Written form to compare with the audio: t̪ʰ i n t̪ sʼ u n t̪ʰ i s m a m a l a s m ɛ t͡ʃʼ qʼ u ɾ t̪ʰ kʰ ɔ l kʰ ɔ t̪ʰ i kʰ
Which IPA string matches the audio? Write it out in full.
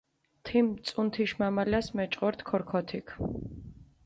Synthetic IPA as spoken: t̪ʰ i m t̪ sʼ u n t̪ʰ i ʃ m a m a l a s m ɛ t͡ʃʼ qʼ ɔ ɾ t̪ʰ kʰ ɔ ɾ kʰ ɔ t̪ʰ i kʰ